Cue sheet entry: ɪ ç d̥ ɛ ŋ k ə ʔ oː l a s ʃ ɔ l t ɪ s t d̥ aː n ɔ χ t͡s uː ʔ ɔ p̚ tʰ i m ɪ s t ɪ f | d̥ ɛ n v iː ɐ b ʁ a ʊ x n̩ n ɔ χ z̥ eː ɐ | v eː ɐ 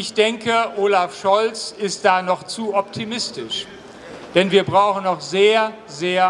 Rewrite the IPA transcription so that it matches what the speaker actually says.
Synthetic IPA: ɪ ç d̥ ɛ ŋ k ə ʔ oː l a f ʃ ɔ l t͡s ɪ s t d̥ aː n ɔ χ t͡s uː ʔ ɔ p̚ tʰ i m ɪ s t ɪ ʃ | d̥ ɛ n v iː ɐ b ʁ a ʊ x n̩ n ɔ χ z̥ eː ɐ | z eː ɐ